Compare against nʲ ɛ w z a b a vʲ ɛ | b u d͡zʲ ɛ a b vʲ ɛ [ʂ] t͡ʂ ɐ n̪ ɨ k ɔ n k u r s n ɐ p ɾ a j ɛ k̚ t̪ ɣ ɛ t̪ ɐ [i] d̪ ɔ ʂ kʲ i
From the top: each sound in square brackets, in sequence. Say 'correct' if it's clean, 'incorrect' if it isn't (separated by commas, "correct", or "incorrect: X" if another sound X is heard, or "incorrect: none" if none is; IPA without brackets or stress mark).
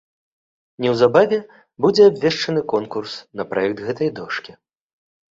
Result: correct, incorrect: j